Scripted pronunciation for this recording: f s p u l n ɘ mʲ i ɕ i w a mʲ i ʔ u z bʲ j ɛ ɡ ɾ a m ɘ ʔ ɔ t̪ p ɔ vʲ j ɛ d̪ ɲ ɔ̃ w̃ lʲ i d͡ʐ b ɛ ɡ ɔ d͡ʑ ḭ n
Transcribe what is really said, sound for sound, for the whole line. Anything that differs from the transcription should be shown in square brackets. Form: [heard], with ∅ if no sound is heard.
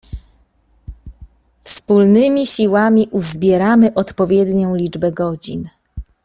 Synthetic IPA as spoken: f s p u l n ɘ mʲ i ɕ i w a mʲ i ʔ u z bʲ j ɛ [∅] ɾ a m ɘ ʔ ɔ t̪ p ɔ vʲ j ɛ d̪ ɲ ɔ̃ w̃ lʲ i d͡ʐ b ɛ ɡ ɔ d͡ʑ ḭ n